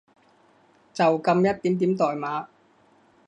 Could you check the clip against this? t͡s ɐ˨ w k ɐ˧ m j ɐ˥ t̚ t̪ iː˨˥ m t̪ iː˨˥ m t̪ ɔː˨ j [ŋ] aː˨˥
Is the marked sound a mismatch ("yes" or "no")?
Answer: yes